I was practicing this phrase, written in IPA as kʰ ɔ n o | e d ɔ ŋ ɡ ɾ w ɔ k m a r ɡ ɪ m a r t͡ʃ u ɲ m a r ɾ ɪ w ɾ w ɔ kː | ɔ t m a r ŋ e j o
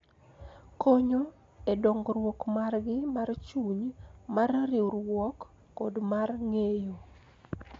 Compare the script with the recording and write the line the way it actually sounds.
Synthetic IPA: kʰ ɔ ɲ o | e d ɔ ŋ ɡ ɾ w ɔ k m a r ɡ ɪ m a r t͡ʃ u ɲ m a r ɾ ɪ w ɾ w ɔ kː | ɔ d m a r ŋ e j o